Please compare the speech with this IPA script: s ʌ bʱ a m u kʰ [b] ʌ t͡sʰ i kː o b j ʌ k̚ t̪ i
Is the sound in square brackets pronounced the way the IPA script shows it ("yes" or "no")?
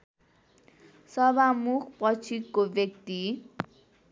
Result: no